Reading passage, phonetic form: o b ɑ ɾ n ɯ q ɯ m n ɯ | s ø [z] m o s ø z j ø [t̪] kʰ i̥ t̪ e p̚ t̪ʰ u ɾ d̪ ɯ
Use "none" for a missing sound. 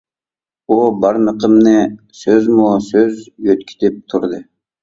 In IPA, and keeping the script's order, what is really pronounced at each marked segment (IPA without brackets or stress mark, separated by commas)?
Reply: z, t̪